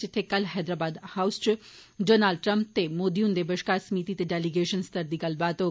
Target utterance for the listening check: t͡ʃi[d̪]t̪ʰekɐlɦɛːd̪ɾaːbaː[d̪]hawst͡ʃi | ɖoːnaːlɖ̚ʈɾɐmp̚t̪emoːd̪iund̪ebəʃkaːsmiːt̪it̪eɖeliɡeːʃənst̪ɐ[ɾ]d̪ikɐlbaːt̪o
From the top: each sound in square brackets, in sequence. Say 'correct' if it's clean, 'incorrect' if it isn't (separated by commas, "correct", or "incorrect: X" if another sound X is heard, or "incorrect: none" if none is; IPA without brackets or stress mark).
incorrect: none, correct, correct